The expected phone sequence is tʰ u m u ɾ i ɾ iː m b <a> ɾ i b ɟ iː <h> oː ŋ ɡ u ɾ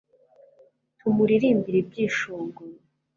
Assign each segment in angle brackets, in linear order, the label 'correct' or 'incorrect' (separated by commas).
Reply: incorrect, incorrect